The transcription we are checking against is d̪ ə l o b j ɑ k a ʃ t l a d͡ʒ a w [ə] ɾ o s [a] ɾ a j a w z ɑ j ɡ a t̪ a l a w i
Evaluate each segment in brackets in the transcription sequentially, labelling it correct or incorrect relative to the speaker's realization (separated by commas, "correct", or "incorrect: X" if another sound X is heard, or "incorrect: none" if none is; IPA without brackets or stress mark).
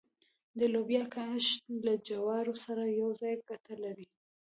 incorrect: ɑ, correct